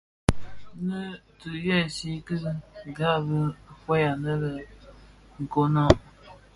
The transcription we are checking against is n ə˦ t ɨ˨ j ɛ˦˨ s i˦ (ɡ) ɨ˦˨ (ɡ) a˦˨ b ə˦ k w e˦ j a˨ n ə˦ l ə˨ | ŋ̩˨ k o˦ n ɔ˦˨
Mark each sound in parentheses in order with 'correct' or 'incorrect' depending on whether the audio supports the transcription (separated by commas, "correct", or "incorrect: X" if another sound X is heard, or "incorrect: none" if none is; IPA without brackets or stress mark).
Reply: incorrect: k, correct